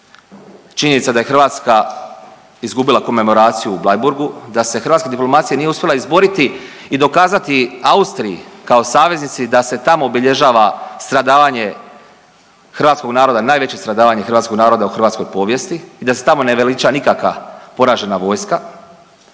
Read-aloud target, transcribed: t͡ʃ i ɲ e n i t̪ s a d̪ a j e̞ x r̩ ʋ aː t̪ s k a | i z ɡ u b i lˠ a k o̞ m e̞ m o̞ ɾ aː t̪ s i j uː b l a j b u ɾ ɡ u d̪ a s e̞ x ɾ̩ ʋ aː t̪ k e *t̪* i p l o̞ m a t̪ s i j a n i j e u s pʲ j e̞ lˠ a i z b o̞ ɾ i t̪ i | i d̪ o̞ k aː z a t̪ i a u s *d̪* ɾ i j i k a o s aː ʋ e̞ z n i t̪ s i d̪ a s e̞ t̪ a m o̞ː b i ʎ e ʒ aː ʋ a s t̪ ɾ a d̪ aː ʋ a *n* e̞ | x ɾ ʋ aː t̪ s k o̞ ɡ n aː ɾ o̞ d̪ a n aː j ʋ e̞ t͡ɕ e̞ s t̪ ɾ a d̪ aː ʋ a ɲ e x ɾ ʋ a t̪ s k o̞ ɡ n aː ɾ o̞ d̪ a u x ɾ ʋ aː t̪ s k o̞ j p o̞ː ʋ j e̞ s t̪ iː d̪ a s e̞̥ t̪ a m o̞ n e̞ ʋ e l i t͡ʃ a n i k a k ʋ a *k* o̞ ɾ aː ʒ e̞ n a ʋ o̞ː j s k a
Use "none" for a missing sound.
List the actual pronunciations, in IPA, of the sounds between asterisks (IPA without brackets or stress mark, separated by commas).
d̪, t̪, ɲ, p